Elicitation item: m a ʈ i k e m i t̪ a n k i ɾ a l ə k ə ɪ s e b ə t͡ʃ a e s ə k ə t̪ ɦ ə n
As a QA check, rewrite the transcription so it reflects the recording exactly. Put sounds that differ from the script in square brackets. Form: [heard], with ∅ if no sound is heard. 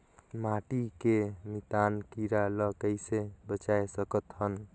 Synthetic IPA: m a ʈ i k e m i t̪ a n k i ɾ a l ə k ə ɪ s e b ə t͡ʃ a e s ə k ə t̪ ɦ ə n